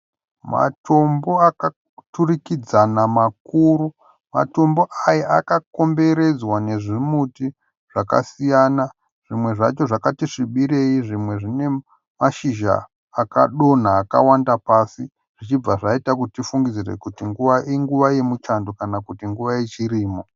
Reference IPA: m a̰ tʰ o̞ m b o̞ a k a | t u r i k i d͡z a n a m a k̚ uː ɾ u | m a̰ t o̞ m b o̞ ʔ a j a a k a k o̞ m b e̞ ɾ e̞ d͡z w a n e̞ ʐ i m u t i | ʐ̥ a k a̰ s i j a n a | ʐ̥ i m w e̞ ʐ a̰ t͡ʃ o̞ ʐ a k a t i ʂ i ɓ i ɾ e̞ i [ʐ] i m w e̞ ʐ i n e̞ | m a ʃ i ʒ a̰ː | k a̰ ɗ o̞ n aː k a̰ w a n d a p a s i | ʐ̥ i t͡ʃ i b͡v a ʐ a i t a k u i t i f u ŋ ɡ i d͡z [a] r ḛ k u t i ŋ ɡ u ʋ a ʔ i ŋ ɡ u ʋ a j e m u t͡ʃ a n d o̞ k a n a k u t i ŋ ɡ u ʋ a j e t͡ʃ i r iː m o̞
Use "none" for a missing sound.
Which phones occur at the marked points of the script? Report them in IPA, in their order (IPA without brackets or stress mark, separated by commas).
ʐ, i